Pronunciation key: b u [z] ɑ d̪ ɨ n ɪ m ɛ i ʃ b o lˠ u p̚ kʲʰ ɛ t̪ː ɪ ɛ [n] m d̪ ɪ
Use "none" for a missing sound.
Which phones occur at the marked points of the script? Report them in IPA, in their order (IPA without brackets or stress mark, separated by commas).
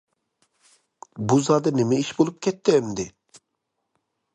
z, none